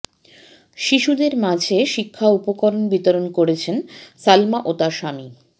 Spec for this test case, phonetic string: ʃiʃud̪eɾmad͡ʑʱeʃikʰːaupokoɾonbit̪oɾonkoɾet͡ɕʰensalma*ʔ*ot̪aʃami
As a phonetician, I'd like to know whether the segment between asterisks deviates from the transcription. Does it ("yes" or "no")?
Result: no